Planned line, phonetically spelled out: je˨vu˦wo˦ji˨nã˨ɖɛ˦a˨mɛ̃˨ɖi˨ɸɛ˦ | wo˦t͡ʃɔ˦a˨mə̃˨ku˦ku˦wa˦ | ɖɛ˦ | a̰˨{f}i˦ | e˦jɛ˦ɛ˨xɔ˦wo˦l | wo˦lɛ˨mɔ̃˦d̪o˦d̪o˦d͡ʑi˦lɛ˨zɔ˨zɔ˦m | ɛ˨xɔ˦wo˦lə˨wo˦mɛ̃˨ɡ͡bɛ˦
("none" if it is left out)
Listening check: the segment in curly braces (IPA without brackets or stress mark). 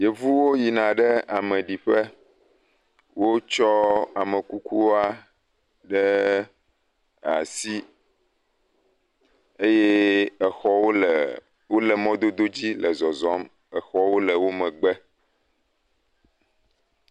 s